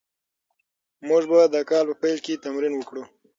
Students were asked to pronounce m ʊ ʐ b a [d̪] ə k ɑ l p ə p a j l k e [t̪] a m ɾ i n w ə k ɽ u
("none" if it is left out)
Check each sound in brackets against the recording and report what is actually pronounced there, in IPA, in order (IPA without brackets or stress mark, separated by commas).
d̪, t̪